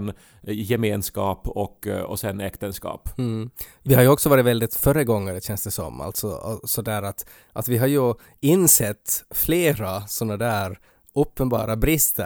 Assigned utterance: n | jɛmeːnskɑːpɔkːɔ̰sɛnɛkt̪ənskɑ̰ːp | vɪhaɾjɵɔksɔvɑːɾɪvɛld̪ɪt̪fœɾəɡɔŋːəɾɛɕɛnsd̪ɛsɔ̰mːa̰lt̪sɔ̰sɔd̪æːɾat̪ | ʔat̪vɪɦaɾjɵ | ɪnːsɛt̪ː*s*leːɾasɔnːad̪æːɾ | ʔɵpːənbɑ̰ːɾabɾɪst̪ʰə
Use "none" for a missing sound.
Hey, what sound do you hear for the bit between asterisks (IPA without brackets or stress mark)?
f